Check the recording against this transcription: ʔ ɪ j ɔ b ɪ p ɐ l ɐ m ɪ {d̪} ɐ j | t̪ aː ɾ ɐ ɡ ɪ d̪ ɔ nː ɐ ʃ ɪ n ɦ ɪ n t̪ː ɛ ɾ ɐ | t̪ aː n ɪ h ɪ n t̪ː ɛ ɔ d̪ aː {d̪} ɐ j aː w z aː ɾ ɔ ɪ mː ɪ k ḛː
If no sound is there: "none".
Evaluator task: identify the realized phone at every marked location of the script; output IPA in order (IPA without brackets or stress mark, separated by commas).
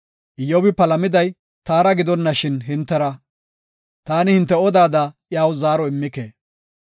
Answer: d̪, d̪